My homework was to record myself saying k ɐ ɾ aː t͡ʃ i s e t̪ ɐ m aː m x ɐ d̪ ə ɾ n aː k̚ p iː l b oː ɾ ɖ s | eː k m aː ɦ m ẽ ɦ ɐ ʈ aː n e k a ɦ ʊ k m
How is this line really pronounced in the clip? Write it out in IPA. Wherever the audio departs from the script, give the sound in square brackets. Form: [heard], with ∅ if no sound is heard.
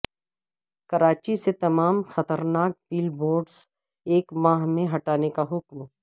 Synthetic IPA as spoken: k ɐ ɾ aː t͡ʃ i s e t̪ ɐ m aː m x ɐ [t̪] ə ɾ n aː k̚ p iː l b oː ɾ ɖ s | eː k m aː ɦ m ẽ ɦ ɐ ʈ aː n e k a ɦ ʊ k m